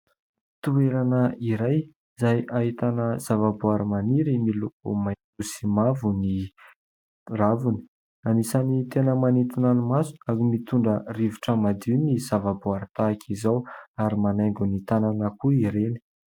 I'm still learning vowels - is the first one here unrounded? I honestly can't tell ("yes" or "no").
no